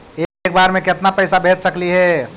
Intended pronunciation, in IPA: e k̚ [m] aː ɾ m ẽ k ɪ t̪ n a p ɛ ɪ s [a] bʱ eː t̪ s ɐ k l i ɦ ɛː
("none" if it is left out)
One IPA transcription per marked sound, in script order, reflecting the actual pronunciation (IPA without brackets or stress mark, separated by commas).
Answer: b, a